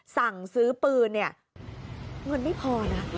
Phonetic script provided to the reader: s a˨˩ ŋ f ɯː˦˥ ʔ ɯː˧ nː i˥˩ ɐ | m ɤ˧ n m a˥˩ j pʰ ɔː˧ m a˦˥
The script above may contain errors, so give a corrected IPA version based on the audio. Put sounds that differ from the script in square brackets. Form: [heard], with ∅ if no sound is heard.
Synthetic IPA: s a˨˩ ŋ [s] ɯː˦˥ [p] ɯː˧ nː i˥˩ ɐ | [ŋ] ɤ˧ n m a˥˩ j pʰ ɔː˧ [n] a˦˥